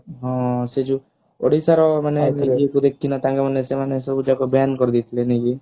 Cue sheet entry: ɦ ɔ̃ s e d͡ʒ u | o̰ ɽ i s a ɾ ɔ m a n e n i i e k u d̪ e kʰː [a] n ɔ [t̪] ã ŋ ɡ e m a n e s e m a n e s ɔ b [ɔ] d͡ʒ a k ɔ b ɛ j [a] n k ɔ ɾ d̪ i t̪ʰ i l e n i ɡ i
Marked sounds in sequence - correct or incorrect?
incorrect, correct, incorrect, correct

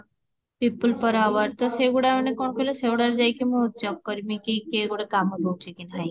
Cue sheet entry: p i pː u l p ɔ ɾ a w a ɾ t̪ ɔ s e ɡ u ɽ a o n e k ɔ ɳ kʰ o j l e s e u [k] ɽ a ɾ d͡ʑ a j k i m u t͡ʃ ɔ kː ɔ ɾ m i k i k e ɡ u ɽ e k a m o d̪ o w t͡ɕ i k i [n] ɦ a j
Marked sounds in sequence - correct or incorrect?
incorrect, correct

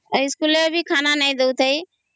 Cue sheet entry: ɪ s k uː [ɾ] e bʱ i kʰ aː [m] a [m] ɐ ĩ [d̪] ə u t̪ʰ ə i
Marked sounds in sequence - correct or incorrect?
incorrect, incorrect, incorrect, correct

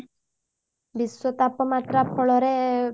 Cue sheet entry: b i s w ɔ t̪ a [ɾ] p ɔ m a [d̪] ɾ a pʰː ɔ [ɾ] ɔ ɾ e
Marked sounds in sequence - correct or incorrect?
incorrect, incorrect, incorrect

